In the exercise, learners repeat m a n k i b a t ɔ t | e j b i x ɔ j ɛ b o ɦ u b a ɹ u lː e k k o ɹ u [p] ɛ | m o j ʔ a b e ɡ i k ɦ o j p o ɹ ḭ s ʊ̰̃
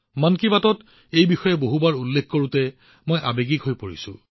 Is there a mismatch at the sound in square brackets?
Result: yes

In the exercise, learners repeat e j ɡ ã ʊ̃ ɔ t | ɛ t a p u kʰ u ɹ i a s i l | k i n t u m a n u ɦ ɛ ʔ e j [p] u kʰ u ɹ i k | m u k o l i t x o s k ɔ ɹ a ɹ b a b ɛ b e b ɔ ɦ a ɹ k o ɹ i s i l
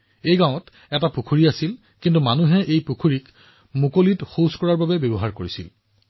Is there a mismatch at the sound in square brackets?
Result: no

